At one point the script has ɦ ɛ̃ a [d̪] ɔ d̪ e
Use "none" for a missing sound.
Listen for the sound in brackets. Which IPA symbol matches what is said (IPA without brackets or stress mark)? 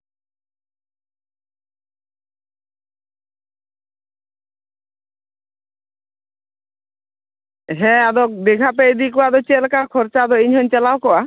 d̪